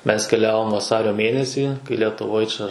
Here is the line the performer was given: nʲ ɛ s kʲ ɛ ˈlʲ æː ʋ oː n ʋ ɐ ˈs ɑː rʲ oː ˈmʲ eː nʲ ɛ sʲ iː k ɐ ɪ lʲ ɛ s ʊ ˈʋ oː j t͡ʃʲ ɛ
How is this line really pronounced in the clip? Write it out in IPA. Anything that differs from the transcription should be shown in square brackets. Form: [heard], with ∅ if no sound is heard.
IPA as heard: [mʲ] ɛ s kʲ ɛ ˈlʲ æː ʋ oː [m] ʋ ɐ ˈs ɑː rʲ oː ˈmʲ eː nʲ ɛ sʲ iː k ɐ ɪ lʲ ɛ [t] ʊ ˈʋ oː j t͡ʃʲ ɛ